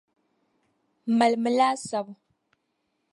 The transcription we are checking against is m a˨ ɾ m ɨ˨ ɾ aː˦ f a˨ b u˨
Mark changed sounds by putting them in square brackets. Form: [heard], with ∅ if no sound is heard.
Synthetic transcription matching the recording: m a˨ [l] m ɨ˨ [l] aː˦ [s] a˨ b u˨